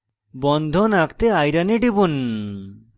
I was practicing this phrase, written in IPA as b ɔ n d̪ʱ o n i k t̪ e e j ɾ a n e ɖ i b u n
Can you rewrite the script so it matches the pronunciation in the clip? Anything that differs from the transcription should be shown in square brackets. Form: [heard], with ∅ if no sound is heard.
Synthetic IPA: b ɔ n d̪ʱ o n [a] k t̪ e [a] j ɾ a n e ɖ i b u n

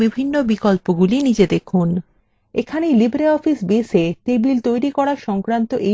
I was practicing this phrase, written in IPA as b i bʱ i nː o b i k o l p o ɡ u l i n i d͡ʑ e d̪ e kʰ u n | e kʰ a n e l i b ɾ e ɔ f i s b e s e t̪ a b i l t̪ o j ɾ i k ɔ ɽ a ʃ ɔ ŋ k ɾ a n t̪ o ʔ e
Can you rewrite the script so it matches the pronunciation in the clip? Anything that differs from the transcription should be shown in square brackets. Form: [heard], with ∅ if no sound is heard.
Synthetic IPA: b i bʱ i nː o b i k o l p o ɡ u l i n i d͡ʑ e d̪ e kʰ u n | e kʰ a n e l i b ɾ e ɔ f i s b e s e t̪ [e] b i l t̪ o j ɾ i k ɔ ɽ a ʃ ɔ ŋ k ɾ a n t̪ o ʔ e

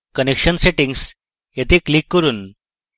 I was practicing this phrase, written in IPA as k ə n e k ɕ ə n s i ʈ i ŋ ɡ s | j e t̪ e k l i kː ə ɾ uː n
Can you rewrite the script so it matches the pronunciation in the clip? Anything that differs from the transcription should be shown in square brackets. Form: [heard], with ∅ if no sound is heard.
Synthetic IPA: k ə n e k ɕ ə n s [e] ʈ i ŋ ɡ s | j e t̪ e k l i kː ə ɾ uː n

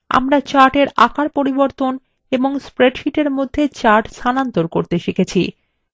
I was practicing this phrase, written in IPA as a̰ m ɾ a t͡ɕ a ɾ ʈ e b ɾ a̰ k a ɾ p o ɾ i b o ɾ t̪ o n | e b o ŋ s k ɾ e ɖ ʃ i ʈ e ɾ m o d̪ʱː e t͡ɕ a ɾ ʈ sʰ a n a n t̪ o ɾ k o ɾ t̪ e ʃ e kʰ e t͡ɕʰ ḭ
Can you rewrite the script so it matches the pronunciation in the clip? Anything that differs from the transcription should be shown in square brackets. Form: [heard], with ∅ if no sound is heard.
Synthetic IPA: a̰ m ɾ a t͡ɕ a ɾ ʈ e [∅] ɾ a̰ k a ɾ p o ɾ i b o ɾ t̪ o n | e b o ŋ s [p] ɾ e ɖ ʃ i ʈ e ɾ m o d̪ʱː e t͡ɕ a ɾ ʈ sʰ a n a n t̪ o ɾ k o ɾ t̪ e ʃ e kʰ e t͡ɕʰ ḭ

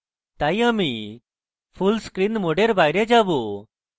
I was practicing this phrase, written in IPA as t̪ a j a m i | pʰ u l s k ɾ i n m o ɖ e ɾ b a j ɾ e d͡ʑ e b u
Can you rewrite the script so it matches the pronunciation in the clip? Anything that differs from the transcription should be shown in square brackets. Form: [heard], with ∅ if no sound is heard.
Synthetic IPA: t̪ a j a m i | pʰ u l s k ɾ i n m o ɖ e ɾ b a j ɾ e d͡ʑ [a] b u

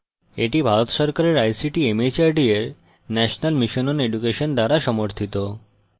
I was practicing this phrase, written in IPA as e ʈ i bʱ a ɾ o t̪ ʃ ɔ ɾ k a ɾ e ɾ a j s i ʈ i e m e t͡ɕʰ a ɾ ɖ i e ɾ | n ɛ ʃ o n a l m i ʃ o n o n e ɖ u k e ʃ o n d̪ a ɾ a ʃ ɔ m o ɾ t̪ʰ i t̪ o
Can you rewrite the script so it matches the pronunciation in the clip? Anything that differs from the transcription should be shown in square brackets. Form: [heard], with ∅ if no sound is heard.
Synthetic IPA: e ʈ i bʱ a ɾ o t̪ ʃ ɔ ɾ k a ɾ e ɾ a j s i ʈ i e m e [t͡ɕ] a ɾ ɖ i e ɾ | n ɛ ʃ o n a l m i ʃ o n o n e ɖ u k e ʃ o n d̪ a ɾ a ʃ ɔ m o ɾ t̪ʰ i t̪ o

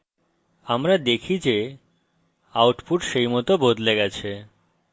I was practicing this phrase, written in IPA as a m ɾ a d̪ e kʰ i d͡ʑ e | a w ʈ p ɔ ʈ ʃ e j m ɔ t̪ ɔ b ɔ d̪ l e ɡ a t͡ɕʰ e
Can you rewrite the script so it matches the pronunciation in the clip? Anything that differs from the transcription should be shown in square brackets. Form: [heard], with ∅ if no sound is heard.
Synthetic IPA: a m ɾ a d̪ e kʰ i d͡ʑ e | a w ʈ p [u] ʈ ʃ e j m ɔ t̪ [o] b [o] d̪ l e ɡ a t͡ɕʰ e

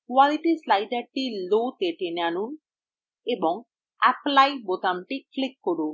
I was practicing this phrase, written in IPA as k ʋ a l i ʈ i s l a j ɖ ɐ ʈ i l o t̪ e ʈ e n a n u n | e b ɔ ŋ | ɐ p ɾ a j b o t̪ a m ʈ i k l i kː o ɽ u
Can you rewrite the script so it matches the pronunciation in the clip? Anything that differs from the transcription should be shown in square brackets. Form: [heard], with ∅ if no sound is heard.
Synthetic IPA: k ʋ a l i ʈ i s l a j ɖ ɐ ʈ i l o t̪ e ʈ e n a n u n | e b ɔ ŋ | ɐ p [l] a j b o t̪ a m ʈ i k l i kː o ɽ u

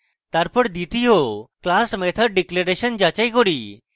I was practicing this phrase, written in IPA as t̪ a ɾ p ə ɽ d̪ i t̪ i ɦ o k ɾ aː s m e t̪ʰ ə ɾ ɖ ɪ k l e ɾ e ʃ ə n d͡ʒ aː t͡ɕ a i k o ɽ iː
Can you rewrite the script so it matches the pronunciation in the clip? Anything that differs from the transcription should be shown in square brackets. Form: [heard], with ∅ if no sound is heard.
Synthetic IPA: t̪ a ɾ p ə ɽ d̪ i t̪ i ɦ o k [l] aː s m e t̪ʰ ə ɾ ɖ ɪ k l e ɾ e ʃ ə n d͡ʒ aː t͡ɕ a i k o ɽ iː

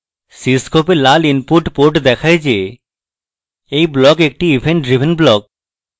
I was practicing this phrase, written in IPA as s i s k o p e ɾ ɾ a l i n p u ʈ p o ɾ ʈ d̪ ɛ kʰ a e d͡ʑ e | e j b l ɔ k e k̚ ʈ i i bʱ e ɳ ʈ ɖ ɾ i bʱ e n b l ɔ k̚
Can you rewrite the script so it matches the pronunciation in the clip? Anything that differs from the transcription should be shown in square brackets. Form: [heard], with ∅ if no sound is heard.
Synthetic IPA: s i s k o p e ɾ [l] a l i n p u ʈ p o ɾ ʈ d̪ ɛ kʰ a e d͡ʑ e | e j b l ɔ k e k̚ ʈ i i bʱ e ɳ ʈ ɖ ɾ i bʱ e n b l ɔ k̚

